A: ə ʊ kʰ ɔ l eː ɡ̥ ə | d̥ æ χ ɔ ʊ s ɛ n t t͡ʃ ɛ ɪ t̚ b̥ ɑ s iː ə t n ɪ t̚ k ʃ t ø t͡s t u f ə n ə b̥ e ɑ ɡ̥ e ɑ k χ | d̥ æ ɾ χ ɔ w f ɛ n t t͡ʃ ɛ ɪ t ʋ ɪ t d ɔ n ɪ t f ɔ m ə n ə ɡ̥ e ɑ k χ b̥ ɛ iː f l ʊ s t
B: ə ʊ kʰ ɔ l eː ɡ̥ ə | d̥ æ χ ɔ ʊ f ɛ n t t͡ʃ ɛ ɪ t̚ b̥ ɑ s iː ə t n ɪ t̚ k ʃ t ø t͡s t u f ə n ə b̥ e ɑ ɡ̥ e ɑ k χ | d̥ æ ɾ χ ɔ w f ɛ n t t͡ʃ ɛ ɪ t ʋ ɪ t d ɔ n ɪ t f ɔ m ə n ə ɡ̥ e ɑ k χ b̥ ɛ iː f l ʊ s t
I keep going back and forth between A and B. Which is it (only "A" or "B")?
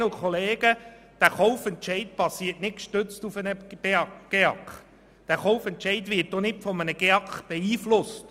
B